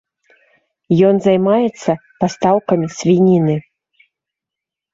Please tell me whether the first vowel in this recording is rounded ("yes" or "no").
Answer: yes